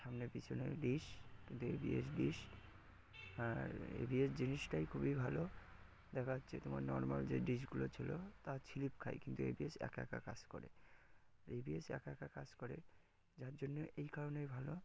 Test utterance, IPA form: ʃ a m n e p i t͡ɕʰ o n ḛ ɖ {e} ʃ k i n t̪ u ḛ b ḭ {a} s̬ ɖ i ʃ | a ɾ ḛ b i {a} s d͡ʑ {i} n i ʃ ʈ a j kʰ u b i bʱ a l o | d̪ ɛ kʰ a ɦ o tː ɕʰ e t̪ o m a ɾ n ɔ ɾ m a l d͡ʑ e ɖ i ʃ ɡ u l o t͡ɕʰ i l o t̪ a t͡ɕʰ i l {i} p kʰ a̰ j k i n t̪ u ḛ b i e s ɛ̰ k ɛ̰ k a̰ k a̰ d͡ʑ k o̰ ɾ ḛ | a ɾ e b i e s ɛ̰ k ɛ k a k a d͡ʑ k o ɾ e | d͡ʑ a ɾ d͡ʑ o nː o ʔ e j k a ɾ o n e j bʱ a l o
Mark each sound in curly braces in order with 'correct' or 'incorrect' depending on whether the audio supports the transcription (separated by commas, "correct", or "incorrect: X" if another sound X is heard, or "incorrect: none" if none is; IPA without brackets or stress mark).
incorrect: i, incorrect: e, incorrect: e, correct, correct